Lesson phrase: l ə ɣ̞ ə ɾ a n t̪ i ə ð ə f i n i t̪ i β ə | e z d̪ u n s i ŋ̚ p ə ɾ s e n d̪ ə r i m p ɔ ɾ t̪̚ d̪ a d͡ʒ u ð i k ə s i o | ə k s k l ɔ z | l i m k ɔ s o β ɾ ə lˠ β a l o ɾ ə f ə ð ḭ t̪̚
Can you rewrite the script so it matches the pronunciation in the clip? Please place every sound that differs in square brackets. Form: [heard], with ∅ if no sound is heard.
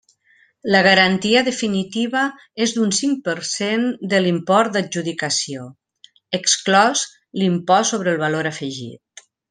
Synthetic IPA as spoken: l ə ɣ̞ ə ɾ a n t̪ i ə ð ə f i n i t̪ i β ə | e z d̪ u n s i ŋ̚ p ə ɾ s e n d̪ ə [l] i m p ɔ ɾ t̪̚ d̪ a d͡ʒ u ð i k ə s i o | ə k s k l ɔ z | l i m [p] ɔ s o β ɾ ə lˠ β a l o ɾ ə f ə [ʒ] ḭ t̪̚